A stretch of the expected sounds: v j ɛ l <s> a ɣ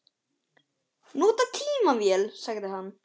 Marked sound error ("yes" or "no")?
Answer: no